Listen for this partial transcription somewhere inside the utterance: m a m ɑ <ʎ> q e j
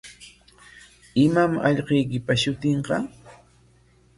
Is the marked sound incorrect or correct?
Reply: correct